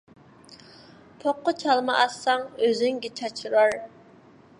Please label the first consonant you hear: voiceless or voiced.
voiceless